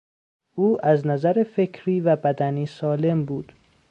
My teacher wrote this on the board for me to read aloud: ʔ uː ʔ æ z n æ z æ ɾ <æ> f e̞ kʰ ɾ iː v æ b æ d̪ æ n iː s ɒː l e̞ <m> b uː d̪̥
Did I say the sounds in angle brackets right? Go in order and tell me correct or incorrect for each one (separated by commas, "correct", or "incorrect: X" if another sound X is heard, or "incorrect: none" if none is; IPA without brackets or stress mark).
incorrect: e, correct